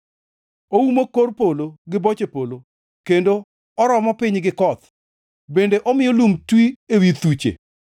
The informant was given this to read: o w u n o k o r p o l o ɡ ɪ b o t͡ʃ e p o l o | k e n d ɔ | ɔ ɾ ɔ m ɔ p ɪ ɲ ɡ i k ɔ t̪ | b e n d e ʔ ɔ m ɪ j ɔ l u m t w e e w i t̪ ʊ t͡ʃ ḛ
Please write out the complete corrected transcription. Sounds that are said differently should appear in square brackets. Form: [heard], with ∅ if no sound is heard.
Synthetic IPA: o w u [m] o k o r p o l o ɡ ɪ b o t͡ʃ e p o l o | k e n d [o] | ɔ ɾ ɔ m ɔ p ɪ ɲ ɡ [ɪ] k ɔ t̪ | b e n d e ʔ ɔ m ɪ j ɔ l u m t w [i] e w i t̪ [u] t͡ʃ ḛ